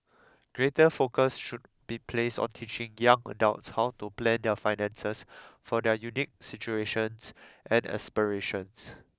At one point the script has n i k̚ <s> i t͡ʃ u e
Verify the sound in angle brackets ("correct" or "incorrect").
correct